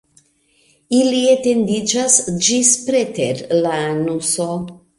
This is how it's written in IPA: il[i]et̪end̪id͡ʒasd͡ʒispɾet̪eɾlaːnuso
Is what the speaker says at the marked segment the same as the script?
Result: yes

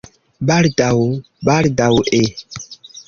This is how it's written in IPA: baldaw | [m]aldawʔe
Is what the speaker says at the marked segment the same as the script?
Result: no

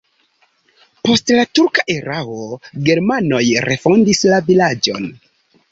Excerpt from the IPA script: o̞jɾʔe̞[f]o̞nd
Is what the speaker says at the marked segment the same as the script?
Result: yes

